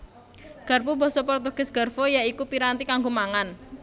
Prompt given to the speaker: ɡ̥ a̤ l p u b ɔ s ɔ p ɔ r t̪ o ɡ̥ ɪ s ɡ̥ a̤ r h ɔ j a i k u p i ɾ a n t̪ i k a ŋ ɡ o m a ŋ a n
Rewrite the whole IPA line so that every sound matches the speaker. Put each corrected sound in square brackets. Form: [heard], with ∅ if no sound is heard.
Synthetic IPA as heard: ɡ̥ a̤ [r] p u b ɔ s ɔ p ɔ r t̪ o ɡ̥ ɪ s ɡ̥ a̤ r [f] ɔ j a i k u p i ɾ a n t̪ i k a ŋ ɡ o m a ŋ a n

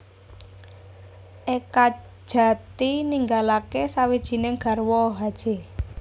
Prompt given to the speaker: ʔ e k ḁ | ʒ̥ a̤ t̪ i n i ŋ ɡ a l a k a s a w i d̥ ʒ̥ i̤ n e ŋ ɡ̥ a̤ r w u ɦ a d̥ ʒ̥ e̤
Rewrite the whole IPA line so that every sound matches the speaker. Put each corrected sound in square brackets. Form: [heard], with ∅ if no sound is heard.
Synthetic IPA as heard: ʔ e k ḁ | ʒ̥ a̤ t̪ i n i ŋ ɡ a l a k [e] s a w i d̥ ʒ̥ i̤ n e ŋ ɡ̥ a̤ r w [ɔ] ɦ a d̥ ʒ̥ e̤

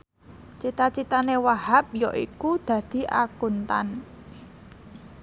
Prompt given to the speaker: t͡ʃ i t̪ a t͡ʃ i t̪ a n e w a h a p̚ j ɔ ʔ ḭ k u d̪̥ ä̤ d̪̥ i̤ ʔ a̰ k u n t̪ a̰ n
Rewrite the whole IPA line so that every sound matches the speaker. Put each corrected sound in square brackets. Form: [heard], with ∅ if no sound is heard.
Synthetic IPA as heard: t͡ʃ i t̪ a t͡ʃ i t̪ a n e w a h a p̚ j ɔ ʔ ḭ k u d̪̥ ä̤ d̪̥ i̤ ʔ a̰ k u n t̪ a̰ n

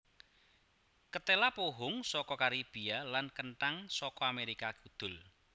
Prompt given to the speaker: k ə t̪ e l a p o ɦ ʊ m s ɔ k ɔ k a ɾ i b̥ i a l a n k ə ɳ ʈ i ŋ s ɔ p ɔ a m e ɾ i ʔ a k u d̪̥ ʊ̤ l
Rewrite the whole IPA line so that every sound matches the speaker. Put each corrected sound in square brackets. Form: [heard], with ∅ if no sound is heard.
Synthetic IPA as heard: k ə t̪ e l a p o ɦ ʊ [ŋ] s ɔ k ɔ k a ɾ i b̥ i a l a n k ə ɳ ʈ [a] ŋ s ɔ [k] ɔ a m e ɾ i [k] a k u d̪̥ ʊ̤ l

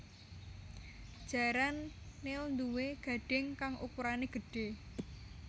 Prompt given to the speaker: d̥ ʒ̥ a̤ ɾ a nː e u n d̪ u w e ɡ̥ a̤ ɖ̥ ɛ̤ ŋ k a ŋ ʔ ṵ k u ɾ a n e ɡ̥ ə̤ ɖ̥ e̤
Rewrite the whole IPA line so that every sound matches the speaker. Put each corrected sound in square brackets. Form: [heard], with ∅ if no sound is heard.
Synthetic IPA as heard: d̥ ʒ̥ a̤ ɾ a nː e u n d̪ u w e ɡ̥ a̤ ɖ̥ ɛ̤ ŋ k a ŋ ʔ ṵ k u ɾ a n e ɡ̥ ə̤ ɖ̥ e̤

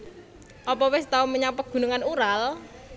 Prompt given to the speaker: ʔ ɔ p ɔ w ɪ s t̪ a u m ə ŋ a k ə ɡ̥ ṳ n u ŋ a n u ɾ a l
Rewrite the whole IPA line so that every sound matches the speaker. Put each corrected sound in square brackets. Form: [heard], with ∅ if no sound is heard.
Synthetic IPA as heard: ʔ ɔ p ɔ w ɪ s t̪ a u m ə [ɲ] a [p] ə ɡ̥ ṳ n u ŋ a n u ɾ a l

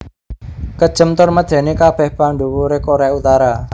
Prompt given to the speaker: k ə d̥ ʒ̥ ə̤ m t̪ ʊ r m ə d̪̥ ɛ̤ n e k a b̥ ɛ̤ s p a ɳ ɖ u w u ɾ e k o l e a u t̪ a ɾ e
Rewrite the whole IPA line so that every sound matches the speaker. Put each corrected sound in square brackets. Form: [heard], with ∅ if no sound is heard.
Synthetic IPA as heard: k ə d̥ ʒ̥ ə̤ m t̪ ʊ r m ə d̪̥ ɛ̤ n e k a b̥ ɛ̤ [h] p a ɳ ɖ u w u ɾ e k o [ɾ] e a u t̪ a ɾ [a]

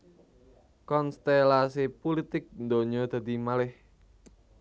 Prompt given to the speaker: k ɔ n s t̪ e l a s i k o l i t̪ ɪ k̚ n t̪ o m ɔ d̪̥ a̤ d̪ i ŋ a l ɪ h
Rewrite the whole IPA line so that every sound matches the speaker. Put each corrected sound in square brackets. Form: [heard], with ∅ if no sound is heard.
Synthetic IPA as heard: k ɔ n s t̪ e l a s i [p] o l i t̪ ɪ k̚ n [d̪] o [ɲ] ɔ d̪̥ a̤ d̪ i [m] a l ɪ h

